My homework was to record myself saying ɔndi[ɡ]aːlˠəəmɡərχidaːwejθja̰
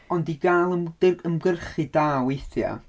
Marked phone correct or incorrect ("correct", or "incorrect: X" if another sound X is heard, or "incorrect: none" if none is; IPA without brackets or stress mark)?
correct